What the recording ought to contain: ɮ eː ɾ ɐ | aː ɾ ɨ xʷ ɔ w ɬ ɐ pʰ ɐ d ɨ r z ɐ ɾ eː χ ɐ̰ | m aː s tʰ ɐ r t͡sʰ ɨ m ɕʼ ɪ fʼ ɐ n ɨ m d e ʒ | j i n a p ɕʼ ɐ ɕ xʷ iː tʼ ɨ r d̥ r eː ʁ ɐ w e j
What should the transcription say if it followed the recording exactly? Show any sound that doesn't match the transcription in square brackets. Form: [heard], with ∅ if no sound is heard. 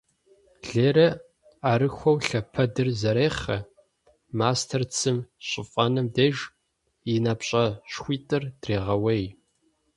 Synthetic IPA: ɮ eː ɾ ɐ | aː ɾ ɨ xʷ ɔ w ɬ ɐ pʰ ɐ d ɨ r z ɐ ɾ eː χ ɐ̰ | m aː s tʰ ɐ r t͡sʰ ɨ m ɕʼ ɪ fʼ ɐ n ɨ m d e ʒ | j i n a p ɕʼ ɐ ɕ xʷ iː tʼ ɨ r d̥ r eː ʁ ɐ w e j